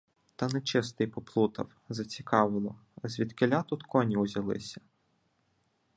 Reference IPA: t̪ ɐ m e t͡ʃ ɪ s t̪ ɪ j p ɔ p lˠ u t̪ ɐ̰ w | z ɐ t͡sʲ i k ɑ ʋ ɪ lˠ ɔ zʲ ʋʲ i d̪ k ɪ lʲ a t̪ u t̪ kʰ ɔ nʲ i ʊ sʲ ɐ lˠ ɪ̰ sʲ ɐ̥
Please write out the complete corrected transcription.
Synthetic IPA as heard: t̪ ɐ n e t͡ʃ ɪ s t̪ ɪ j p ɔ p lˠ u t̪ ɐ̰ w | z ɐ t͡sʲ i k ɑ ʋ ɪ lˠ ɔ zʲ ʋʲ i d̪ k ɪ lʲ a t̪ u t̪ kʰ ɔ nʲ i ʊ zʲ ɐ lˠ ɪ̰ sʲ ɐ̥

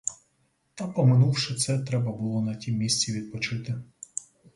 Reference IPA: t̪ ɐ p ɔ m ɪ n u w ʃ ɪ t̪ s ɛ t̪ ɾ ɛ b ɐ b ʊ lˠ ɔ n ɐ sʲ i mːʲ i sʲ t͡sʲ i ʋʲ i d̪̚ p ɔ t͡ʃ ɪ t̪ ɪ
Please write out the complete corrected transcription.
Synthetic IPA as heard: t̪ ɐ p ɔ m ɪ n u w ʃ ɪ t̪ s ɛ t̪ ɾ ɛ b ɐ b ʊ lˠ ɔ n ɐ tʲ i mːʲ i sʲ t͡sʲ i ʋʲ i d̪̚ p ɔ t͡ʃ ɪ t̪ ɪ

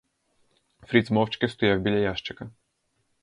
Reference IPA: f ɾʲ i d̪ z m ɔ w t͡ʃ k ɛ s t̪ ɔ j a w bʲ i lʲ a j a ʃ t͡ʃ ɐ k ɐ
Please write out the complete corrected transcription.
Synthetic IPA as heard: f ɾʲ i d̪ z m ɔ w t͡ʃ k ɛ s t̪ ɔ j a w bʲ i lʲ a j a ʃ t͡ʃ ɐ k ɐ

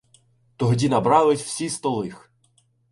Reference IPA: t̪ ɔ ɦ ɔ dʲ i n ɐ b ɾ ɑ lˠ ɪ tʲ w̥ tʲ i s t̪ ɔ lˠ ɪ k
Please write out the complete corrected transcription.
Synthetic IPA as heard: t̪ ɔ ɦ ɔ dʲ i n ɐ b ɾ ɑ lˠ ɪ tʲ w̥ sʲ i s t̪ ɔ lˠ ɪ x

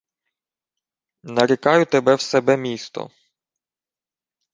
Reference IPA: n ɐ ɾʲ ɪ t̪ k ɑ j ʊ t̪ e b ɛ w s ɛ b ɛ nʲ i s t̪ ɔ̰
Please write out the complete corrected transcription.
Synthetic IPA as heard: n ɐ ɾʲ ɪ k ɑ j ʊ t̪ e b ɛ w s ɛ b ɛ mʲ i s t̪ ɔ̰

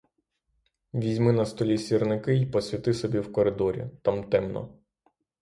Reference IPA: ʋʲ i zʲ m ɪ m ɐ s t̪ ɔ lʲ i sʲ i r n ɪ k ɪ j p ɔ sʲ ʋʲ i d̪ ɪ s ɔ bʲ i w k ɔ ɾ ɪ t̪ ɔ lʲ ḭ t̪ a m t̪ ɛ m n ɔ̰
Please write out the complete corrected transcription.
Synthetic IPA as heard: ʋʲ i zʲ m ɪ n ɐ s t̪ ɔ lʲ i sʲ i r n ɪ k ɪ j p ɔ sʲ ʋʲ i t̪ ɪ s ɔ bʲ i w k ɔ ɾ ɪ d̪ ɔ ɾʲ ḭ t̪ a m t̪ ɛ m n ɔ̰

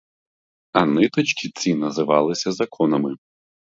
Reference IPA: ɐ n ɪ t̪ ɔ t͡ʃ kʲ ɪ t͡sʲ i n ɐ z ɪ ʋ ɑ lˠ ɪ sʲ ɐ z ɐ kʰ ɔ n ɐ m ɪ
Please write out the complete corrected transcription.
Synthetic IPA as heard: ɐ n ɪ t̪ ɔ t͡ʃ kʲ i t͡sʲ i n ɐ z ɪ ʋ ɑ lˠ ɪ sʲ ɐ z ɐ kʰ ɔ n ɐ m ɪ

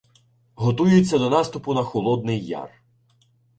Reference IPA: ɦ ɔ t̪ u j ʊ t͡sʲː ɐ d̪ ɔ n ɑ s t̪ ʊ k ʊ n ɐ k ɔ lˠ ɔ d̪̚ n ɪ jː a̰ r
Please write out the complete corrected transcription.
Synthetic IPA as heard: ɦ ɔ t̪ u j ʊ t͡sʲː ɐ d̪ ɔ n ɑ s t̪ ʊ p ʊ n ɐ x ɔ lˠ ɔ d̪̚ n ɪ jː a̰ r

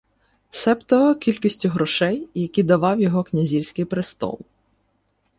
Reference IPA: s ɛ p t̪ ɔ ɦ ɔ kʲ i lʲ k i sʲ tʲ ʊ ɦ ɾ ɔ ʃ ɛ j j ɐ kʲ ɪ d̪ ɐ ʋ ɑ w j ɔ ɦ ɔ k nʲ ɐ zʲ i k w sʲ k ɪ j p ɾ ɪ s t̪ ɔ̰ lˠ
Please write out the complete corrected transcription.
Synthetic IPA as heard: s ɛ p t̪ ɔ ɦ ɔ kʲ i lʲ k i sʲ tʲ ʊ ɦ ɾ ɔ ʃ ɛ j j ɐ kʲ i d̪ ɐ ʋ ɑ w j ɔ ɦ ɔ k nʲ ɐ zʲ i w sʲ k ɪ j p ɾ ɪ s t̪ ɔ̰ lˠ

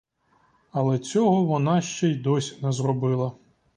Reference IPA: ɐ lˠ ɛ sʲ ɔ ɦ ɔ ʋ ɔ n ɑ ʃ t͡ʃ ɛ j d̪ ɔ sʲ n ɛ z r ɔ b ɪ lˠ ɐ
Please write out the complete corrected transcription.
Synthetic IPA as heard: ɐ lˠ ɛ t͡sʲ ɔ ɦ ɔ ʋ ɔ n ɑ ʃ t͡ʃ ɛ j d̪ ɔ sʲ n ɛ z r ɔ b ɪ lˠ ɐ

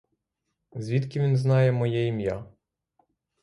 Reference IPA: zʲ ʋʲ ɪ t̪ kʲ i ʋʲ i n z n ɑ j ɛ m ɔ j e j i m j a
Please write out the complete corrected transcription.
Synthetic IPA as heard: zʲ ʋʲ i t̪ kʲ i ʋʲ i n z n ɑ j ɛ m ɔ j ɛ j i m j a

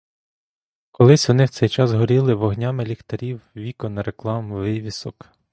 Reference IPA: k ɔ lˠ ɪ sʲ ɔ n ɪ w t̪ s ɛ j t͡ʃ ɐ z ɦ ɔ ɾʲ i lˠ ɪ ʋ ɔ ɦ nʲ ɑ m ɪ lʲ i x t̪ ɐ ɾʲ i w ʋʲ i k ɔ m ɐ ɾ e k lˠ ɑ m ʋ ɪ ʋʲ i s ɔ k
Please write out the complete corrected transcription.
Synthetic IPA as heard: k ɔ lˠ ɪ sʲ ɔ n ɪ w t̪ s ɛ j t͡ʃ ɑ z ɦ ɔ ɾʲ i lˠ ɪ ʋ ɔ ɦ nʲ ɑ m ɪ lʲ i x t̪ ɐ ɾʲ i w ʋʲ i k ɔ n ɐ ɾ e k lˠ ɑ m ʋ ɪ ʋʲ i s ɔ k

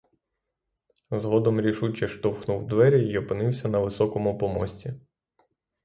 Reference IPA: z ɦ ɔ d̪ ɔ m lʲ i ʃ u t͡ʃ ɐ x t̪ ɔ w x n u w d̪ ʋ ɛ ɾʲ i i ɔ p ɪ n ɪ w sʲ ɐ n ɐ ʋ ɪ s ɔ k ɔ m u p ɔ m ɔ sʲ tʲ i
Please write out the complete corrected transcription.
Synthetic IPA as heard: z ɦ ɔ d̪ ɔ m ɾʲ i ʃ u t͡ʃ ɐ ʃ t̪ ɔ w x n u w d̪ ʋ ɛ ɾʲ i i ɔ p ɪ n ɪ w sʲ ɐ n ɐ ʋ ɪ s ɔ k ɔ m ʊ p ɔ m ɔ sʲ tʲ i

